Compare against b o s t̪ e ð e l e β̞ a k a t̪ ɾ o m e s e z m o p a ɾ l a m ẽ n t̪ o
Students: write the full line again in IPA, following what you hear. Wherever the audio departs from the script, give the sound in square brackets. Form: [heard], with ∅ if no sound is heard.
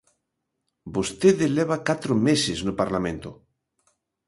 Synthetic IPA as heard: b o s t̪ e ð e l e β̞ a k a t̪ ɾ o m e s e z [n] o p a ɾ l a m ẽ n t̪ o